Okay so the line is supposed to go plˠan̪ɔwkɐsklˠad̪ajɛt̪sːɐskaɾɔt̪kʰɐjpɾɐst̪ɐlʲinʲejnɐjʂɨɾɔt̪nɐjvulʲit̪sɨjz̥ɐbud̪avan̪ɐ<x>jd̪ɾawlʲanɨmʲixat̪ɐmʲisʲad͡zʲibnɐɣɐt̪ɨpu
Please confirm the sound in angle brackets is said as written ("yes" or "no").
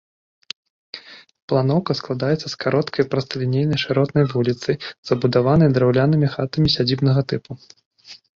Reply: no